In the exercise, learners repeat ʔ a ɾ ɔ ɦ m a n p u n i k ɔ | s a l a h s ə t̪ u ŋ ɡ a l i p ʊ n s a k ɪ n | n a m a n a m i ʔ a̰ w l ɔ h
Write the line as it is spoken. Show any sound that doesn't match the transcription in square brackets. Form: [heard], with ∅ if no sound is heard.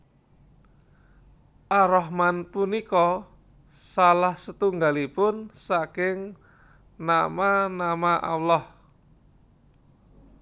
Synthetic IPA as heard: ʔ a ɾ ɔ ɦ m a n p u n i k ɔ | s a l a h s ə t̪ u ŋ ɡ a l i p ʊ n s a k ɪ [ŋ] | n a m a n a m [a] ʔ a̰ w l ɔ h